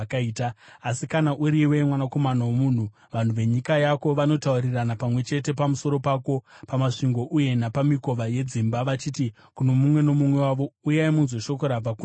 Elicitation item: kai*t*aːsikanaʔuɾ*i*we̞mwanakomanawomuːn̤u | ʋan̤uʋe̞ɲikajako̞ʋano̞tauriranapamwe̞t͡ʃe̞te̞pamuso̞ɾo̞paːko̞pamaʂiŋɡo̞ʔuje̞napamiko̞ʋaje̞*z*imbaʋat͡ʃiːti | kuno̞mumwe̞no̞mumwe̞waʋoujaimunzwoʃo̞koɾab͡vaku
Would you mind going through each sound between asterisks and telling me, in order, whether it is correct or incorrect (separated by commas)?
correct, correct, incorrect